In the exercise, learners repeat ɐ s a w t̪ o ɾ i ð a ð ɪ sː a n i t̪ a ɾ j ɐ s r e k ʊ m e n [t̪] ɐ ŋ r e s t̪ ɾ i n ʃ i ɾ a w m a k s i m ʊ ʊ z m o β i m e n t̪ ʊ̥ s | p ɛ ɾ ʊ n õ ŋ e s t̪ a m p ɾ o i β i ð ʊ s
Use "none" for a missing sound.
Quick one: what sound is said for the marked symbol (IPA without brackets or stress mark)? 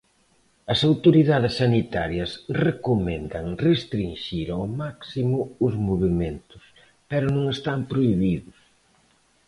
d̪